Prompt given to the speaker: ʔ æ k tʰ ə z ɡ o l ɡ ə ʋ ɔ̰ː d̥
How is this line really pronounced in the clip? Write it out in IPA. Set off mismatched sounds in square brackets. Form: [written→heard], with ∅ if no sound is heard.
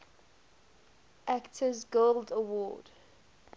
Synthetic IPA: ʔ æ k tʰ ə z ɡ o l [ɡ→d] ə [ʋ→w] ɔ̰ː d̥

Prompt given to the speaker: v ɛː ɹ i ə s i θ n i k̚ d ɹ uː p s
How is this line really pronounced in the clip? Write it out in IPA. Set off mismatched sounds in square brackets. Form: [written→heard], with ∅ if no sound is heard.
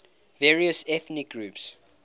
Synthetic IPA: v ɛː ɹ i ə s [i→ɛ] θ n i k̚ [d→ɡ] ɹ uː p s

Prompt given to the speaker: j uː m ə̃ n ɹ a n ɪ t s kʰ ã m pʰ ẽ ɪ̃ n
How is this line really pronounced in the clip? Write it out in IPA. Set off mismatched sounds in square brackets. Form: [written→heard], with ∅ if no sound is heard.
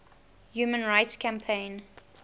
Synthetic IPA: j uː m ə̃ n ɹ a [n→∅] ɪ t s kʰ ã m pʰ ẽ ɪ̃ n

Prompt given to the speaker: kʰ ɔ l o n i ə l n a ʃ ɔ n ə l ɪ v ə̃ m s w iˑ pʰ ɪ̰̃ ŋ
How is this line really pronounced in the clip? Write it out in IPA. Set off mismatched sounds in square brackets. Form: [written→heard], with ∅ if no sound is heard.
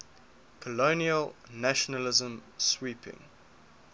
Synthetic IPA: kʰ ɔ l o n i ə l n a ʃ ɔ n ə l ɪ [v→z] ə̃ m s w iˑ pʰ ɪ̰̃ ŋ

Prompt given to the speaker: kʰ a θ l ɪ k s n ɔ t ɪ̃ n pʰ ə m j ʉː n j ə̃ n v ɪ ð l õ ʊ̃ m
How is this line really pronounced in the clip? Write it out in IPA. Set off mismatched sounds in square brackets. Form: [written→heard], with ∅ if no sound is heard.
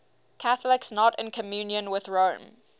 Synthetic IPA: kʰ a θ l ɪ k s n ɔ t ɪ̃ n [pʰ→kʰ] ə m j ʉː n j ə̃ n [v→w] ɪ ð [l→ɹ] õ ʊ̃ m

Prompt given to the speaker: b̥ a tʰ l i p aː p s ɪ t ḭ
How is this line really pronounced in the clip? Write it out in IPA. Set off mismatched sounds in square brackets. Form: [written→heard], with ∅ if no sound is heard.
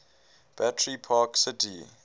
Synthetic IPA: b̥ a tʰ [l→ɹ] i [p→pʰ] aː [p→k] s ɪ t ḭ

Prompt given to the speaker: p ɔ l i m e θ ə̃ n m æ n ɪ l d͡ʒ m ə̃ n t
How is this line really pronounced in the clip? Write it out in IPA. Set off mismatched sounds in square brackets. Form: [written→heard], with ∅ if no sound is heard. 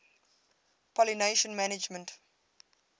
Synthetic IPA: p ɔ l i [m→n] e [θ→ʃ] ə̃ n m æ n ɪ [l→∅] d͡ʒ m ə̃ n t

